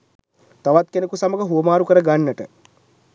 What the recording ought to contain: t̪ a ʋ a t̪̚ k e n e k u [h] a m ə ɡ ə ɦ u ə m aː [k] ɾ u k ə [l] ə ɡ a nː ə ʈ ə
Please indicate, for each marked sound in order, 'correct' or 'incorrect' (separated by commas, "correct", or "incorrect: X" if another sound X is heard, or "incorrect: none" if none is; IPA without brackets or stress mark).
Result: incorrect: s, incorrect: none, incorrect: ɾ